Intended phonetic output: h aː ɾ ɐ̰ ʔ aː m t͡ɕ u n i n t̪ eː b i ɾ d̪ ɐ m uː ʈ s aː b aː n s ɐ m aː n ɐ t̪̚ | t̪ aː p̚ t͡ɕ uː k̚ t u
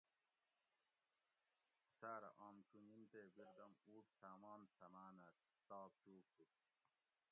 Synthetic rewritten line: s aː ɾ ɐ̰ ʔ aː m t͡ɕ u n i n t̪ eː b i ɾ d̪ ɐ m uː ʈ s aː m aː n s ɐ m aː n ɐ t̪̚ | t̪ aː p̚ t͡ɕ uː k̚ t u